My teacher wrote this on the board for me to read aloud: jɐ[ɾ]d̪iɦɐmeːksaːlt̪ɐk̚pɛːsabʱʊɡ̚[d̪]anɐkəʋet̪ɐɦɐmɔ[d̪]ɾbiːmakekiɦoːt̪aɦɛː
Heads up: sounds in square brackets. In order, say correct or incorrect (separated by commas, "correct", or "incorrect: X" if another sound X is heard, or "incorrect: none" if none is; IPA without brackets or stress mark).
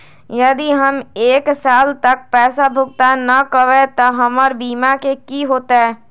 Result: incorrect: none, incorrect: t̪, incorrect: none